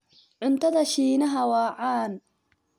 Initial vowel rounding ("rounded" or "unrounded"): rounded